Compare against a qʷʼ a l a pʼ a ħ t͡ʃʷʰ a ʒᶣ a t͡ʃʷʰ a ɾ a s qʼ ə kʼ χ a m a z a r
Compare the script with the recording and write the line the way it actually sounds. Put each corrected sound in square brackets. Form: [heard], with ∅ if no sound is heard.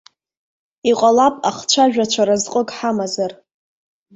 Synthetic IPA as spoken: [i] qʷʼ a l a pʼ a [χ] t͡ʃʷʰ a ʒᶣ a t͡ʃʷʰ a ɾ a [z] qʼ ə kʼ [ħ] a m a z a r